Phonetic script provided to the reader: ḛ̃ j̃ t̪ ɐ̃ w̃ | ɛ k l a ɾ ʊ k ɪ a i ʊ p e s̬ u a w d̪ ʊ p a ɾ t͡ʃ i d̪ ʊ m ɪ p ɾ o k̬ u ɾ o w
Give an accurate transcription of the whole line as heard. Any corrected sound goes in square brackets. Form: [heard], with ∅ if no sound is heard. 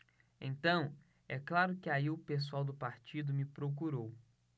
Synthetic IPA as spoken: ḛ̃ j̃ t̪ ɐ̃ w̃ | ɛ k l a ɾ ʊ k ɪ a i ʊ p e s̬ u a w d̪ ʊ p a ɾ t͡ʃ i d̪ ʊ m ɪ p ɾ o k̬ u ɾ o w